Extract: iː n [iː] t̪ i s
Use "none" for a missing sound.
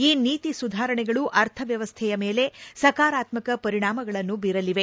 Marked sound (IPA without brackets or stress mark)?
iː